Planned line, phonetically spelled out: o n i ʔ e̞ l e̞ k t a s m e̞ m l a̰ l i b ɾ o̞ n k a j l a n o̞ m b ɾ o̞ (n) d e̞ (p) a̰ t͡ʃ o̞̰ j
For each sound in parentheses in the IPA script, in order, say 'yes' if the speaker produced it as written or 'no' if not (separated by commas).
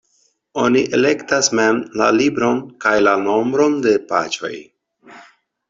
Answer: yes, yes